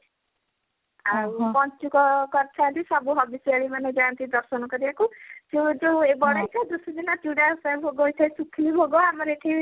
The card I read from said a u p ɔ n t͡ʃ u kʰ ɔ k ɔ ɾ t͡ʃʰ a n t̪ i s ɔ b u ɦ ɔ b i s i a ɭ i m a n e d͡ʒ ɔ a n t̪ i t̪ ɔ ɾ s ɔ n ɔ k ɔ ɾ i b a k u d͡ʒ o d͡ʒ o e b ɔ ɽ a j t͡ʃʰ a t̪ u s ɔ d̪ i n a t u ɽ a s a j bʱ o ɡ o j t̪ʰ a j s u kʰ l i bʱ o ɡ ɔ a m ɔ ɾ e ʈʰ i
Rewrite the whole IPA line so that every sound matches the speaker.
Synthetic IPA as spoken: a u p ɔ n t͡ʃ u k ɔ k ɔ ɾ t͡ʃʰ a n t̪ i s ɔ b u ɦ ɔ b i s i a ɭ i m a n e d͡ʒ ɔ a n t̪ i d̪ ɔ ɾ s ɔ n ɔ k ɔ ɾ i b a k u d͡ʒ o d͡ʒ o e b ɔ ɽ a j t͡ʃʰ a d̪ u s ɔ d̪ i n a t u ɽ a s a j bʱ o ɡ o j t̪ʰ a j s u kʰ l i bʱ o ɡ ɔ a m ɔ ɾ e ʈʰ i

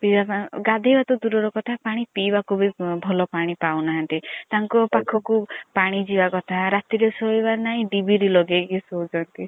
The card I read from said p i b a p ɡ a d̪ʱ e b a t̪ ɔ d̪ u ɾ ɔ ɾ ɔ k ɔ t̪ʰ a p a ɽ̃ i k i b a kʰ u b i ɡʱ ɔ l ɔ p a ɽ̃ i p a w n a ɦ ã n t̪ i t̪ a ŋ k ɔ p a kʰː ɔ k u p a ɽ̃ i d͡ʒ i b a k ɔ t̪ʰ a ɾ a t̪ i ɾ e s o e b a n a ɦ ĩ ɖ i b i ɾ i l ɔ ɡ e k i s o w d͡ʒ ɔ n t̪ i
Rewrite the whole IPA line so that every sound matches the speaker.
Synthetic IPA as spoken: p i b a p ɡ a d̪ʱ e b a t̪ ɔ d̪ u ɾ ɔ ɾ ɔ k ɔ t̪ʰ a p a ɽ̃ i p i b a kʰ u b i bʱ ɔ l ɔ p a ɽ̃ i p a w n a ɦ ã n t̪ i t̪ a ŋ k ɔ p a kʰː ɔ k u p a ɽ̃ i d͡ʒ i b a k ɔ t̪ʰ a ɾ a t̪ i ɾ e s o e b a n a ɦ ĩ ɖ i b i ɾ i l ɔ ɡ e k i s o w d͡ʒ ɔ n t̪ i

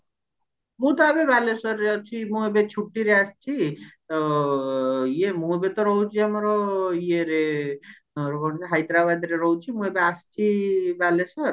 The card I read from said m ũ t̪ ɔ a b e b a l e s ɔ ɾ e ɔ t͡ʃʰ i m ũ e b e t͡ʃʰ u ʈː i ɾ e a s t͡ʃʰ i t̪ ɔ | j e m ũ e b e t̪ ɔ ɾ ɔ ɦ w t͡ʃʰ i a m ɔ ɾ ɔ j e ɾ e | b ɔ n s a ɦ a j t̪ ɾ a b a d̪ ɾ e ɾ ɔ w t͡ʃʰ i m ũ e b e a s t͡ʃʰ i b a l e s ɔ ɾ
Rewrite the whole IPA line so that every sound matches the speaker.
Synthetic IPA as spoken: m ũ t̪ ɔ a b e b a l e s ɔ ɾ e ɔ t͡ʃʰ i m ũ e b e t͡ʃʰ u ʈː i ɾ e a s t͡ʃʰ i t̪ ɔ | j e m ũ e b e t̪ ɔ ɾ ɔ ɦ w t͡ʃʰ i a m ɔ ɾ ɔ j e ɾ e | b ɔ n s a ɦ a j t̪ ɾ a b a d̪ ɾ e ɾ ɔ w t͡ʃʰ i m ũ e b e a s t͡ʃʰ i b a l e s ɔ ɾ

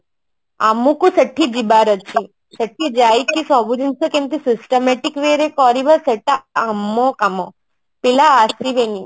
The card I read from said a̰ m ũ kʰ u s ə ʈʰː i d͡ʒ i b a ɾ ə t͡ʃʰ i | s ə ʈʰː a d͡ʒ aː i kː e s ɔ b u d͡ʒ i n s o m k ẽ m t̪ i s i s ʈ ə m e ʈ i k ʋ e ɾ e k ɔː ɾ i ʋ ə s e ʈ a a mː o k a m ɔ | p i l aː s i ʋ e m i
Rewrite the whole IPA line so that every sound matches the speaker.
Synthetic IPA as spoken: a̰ m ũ k u s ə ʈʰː i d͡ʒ i b a ɾ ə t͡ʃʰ i | s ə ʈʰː i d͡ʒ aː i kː i s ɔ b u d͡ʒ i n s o k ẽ m t̪ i s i s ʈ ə m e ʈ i k ʋ e ɾ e k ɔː ɾ i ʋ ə s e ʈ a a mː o k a m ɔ | p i l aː s i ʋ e n i

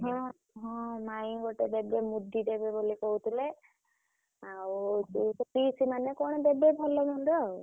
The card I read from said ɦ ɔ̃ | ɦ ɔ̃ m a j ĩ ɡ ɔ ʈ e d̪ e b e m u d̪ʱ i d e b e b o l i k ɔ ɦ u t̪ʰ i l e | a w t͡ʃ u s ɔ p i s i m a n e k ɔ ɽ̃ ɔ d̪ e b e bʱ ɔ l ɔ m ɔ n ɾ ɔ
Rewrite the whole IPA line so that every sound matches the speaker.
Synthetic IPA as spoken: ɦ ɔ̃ | ɦ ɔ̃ m a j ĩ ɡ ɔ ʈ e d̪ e b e m u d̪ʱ i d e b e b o l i k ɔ ɦ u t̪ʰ i l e | a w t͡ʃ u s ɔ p i s i m a n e k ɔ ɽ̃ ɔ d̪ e b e bʱ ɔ l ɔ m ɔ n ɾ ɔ

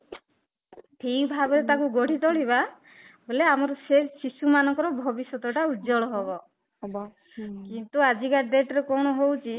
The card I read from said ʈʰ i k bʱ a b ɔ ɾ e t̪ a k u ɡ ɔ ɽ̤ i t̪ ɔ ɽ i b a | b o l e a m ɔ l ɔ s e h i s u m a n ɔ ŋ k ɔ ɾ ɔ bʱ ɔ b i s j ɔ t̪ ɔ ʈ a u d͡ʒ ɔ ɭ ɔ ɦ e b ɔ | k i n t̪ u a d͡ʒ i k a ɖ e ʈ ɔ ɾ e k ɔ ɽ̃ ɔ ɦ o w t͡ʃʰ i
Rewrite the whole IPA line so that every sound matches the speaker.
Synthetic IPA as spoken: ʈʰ i k bʱ a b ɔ ɾ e t̪ a k u ɡ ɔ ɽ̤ i t̪ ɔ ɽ i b a | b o l e a m ɔ ɾ ɔ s e s i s u m a n ɔ ŋ k ɔ ɾ ɔ bʱ ɔ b i s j ɔ t̪ ɔ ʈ a u d͡ʒ ɔ ɭ ɔ ɦ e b ɔ | k i n t̪ u a d͡ʒ i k a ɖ e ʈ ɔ ɾ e k ɔ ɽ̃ ɔ ɦ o w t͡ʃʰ i

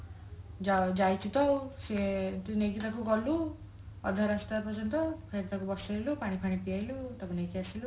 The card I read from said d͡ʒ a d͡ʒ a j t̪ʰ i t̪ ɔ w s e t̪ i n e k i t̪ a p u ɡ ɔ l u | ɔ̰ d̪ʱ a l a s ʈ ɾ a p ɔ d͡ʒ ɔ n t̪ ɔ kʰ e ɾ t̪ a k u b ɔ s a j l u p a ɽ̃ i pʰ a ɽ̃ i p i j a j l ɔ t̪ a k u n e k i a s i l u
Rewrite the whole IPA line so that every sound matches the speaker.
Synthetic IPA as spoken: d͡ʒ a d͡ʒ a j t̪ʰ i t̪ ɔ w s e t̪ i n e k i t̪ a k u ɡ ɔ l u | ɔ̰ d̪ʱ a ɾ a s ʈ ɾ a p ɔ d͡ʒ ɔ n t̪ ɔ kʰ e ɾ t̪ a k u b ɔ s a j l u p a ɽ̃ i pʰ a ɽ̃ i p i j a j l u t̪ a k u n e k i a s i l u

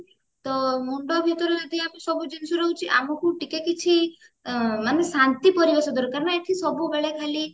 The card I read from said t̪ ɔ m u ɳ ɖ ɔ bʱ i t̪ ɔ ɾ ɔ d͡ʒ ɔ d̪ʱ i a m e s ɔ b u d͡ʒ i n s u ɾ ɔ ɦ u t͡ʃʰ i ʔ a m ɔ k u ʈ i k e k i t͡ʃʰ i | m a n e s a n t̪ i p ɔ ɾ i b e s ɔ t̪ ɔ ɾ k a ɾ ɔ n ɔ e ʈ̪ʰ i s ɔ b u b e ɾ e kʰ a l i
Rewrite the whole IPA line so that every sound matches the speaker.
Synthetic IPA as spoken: t̪ ɔ m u ɳ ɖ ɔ bʱ i t̪ ɔ ɾ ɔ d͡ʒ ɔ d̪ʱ i a m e s ɔ b u d͡ʒ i n s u ɾ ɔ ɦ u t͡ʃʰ i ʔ a m ɔ k u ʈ i k e k i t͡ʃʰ i | m a n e s a n t̪ i p ɔ ɾ i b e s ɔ d̪ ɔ ɾ k a ɾ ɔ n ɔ e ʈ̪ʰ i s ɔ b u b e ɭ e kʰ a l i

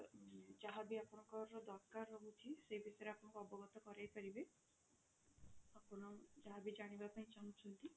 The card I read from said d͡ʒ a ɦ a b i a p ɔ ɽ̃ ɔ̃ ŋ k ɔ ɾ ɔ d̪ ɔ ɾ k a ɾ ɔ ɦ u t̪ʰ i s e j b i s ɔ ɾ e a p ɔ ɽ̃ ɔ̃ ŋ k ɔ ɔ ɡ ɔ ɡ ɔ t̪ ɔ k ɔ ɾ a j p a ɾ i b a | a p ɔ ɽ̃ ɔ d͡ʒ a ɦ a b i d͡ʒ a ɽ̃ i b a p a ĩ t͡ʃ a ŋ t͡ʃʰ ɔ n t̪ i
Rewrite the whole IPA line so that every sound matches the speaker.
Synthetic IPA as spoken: d͡ʒ a ɦ a b i a p ɔ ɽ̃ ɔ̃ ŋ k ɔ ɾ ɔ d̪ ɔ ɾ k a ɾ ɔ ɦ u t̪ʰ i s e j b i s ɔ ɾ e a p ɔ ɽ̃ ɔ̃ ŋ k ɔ ɔ b ɔ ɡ ɔ t̪ ɔ k ɔ ɾ a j p a ɾ i b e | a p ɔ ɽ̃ ɔ d͡ʒ a ɦ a b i d͡ʒ a ɽ̃ i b a p a ĩ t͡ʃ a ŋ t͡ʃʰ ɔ n t̪ i

